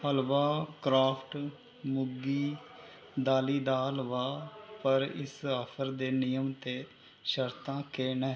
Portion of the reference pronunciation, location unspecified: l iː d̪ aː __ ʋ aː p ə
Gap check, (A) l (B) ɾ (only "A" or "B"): A